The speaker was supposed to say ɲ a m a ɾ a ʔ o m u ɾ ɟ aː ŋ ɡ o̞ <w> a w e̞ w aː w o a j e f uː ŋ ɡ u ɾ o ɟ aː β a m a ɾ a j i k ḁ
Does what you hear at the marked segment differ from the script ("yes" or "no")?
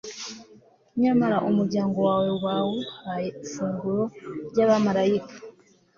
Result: no